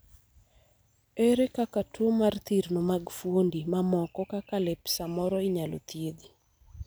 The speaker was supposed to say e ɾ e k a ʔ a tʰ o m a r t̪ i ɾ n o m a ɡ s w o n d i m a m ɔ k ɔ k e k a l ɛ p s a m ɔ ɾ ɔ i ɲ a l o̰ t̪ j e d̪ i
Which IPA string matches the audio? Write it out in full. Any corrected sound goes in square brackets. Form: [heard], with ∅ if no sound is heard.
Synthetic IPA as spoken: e ɾ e k a [k] a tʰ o m a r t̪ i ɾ n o m a ɡ [f] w o n d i m a m ɔ k ɔ k [a] k a l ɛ p s a m ɔ ɾ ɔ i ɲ a l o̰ t̪ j e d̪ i